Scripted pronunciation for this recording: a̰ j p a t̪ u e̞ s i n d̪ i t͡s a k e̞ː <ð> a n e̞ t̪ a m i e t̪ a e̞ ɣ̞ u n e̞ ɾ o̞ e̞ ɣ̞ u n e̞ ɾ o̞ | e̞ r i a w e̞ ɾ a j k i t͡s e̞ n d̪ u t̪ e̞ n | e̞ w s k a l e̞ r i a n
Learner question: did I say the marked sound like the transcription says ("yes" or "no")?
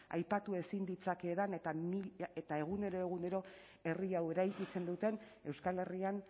yes